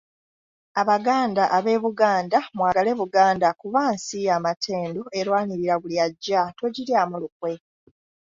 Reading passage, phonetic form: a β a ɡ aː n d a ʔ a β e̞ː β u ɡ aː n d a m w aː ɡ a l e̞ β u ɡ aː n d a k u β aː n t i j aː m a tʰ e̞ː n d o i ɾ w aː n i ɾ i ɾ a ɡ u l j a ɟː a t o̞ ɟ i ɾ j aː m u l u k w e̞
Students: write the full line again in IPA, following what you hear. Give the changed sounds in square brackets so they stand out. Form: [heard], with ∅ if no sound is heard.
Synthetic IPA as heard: a β a ɡ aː n d a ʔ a β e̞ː β u ɡ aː n d a m w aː ɡ a l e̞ β u ɡ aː n d a k u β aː n [s] i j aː m a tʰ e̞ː n d o [e] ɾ w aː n i ɾ i ɾ a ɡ u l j a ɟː a t o̞ ɟ i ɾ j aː m u l u k w e̞